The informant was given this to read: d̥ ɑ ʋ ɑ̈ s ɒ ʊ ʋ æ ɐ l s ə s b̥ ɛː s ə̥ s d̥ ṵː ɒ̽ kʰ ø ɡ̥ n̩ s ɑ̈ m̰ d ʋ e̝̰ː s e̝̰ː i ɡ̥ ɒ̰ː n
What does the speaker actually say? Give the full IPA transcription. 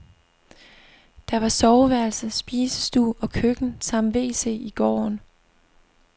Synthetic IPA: d̥ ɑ ʋ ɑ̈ s ɒ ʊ ʋ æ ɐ l s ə s b̥ iː s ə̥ s d̥ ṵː ɒ̽ kʰ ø ɡ̥ n̩ s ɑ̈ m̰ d ʋ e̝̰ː s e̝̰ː i ɡ̥ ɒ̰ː n

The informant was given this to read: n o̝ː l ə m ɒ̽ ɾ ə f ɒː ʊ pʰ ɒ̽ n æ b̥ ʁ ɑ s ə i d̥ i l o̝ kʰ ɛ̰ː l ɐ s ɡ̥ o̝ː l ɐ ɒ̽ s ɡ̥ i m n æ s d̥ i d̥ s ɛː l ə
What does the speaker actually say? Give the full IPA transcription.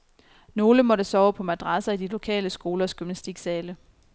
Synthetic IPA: n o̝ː l ə m ɒ̽ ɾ ə s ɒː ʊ pʰ ɒ̽ m æ d̥ ʁ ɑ s ɐ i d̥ i l o̝ kʰ ɛ̰ː l ə s ɡ̥ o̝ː l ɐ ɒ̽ s ɡ̥ y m n æ s d̥ i ɡ̥ s ɛː l ə

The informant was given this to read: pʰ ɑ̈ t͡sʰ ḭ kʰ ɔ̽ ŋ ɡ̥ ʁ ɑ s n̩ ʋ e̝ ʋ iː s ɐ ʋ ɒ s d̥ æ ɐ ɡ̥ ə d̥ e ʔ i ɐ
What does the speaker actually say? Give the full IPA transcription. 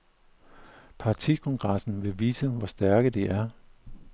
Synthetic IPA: pʰ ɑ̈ t͡sʰ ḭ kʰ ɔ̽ ŋ ɡ̥ ʁ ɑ s n̩ ʋ e̝ ʋ iː s ə ʋ ɒ s d̥ æ ɐ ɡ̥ ə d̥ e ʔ æ ɐ

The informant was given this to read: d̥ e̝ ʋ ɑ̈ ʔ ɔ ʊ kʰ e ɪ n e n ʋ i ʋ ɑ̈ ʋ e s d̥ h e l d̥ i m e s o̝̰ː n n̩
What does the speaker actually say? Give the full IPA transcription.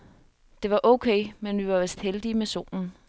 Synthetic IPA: d̥ e̝ ʋ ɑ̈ ʔ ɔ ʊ kʰ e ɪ m e n ʋ i ʋ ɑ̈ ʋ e s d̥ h e l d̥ i m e s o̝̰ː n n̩

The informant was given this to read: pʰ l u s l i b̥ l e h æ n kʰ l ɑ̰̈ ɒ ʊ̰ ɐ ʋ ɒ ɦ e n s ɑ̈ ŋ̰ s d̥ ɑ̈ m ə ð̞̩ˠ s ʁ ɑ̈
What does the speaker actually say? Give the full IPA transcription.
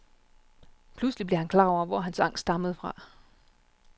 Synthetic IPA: pʰ l u s l i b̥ l e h æ n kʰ l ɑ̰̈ ɒ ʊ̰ ɐ ʋ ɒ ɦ æ n s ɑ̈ ŋ̰ s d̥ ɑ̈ m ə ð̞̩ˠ f ʁ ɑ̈

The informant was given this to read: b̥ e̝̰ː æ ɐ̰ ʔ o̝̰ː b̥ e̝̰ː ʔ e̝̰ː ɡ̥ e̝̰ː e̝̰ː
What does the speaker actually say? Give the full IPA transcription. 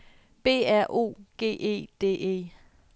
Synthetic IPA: b̥ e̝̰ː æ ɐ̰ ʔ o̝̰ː ɡ̥ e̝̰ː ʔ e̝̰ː d̥ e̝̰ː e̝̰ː

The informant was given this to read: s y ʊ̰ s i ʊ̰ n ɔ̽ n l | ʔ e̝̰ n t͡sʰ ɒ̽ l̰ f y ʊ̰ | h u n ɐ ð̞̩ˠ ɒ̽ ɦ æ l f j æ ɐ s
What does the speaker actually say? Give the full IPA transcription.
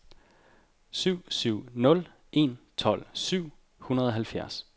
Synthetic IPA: s y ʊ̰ s y ʊ̰ n ɔ̽ l | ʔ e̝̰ n t͡sʰ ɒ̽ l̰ s y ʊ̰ | h u n ɐ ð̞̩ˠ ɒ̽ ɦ æ l f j æ ɐ s

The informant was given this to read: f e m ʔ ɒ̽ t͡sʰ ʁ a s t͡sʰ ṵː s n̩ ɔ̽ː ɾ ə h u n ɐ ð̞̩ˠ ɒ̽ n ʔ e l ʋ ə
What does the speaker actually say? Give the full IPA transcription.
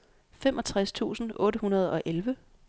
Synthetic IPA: f e m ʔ ɒ̽ t͡sʰ ʁ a s t͡sʰ ṵː s n̩ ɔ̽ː ɾ ə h u n ɐ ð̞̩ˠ ɒ̽ ʔ e l ʋ ə

